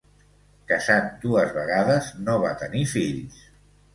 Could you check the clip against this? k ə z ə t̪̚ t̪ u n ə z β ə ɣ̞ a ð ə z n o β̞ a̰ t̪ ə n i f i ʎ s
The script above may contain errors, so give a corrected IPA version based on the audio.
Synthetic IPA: k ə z a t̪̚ d̪ u ə z β ə ɣ̞ a ð ə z n o β̞ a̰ t̪ ə n i f i ʎ s